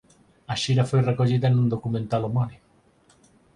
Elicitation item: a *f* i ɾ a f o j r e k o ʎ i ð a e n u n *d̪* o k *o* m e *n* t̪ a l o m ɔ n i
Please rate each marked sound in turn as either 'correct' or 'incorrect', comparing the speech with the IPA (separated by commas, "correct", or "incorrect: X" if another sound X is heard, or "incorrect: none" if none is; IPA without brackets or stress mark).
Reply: incorrect: ʃ, correct, incorrect: u, correct